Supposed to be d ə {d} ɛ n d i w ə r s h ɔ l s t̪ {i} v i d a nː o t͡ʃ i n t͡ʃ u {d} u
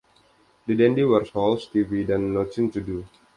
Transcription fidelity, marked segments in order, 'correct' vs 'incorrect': correct, correct, correct

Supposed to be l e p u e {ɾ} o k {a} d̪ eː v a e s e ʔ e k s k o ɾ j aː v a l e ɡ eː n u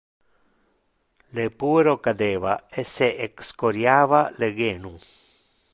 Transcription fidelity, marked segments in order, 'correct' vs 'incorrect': correct, correct

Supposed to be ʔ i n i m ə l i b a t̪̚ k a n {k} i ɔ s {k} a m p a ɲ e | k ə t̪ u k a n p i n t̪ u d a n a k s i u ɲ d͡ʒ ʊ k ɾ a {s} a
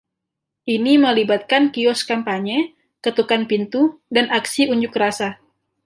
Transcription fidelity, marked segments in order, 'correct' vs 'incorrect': correct, correct, correct

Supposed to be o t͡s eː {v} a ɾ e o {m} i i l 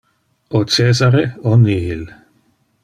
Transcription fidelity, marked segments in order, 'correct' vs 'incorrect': incorrect, incorrect

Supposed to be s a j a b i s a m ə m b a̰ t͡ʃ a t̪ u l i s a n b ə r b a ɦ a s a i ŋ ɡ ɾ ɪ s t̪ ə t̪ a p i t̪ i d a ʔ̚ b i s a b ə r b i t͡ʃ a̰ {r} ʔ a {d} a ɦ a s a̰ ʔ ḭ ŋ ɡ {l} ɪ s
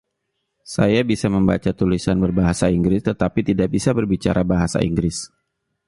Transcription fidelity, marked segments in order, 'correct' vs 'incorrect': incorrect, incorrect, incorrect

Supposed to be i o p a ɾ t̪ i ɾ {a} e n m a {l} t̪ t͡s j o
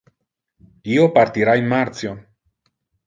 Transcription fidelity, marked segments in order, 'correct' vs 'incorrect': correct, incorrect

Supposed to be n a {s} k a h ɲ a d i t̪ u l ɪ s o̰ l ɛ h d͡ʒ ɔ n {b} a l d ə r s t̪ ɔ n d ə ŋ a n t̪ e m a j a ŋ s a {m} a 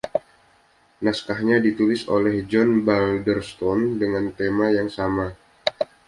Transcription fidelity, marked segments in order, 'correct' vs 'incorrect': correct, correct, correct

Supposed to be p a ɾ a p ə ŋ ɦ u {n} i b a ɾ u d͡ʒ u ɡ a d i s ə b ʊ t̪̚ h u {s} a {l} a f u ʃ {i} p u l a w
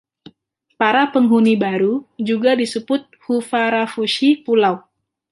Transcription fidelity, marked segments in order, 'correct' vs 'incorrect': correct, incorrect, incorrect, correct

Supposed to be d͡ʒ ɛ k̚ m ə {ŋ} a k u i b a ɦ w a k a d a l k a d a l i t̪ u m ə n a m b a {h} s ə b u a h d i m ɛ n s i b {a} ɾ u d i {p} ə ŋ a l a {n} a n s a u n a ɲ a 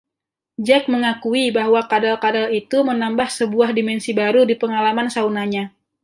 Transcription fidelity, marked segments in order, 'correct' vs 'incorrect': correct, correct, correct, correct, incorrect

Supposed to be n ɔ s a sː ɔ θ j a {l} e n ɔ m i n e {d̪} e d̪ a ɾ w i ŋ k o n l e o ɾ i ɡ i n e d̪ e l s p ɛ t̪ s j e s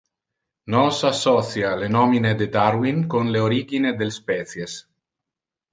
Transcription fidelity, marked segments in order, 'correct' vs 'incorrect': correct, correct

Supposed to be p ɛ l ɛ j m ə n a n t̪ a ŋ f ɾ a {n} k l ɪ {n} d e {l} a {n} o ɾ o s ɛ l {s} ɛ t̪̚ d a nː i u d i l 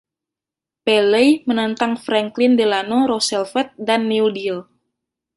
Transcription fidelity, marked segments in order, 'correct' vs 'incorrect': incorrect, correct, correct, correct, incorrect

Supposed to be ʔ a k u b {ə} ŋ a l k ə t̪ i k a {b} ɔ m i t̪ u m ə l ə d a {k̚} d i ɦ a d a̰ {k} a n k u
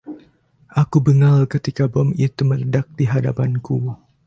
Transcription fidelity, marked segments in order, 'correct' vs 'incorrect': correct, correct, correct, incorrect

